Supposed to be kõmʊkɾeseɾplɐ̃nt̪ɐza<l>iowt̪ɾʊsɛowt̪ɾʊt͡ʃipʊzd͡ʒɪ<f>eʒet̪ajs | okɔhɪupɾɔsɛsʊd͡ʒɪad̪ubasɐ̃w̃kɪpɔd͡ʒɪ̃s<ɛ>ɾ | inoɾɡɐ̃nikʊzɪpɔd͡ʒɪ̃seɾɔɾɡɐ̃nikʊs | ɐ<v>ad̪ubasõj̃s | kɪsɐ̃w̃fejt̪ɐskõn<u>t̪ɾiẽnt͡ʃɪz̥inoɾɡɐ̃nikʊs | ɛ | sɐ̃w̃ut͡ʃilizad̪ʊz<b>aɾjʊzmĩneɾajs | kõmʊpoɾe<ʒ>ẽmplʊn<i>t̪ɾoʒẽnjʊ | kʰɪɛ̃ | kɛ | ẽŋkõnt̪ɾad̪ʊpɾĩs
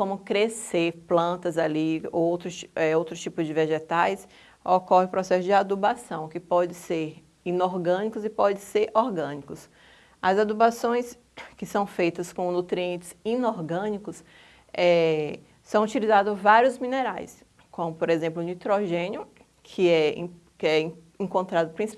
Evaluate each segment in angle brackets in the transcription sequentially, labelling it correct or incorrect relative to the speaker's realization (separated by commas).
correct, incorrect, incorrect, incorrect, correct, incorrect, incorrect, correct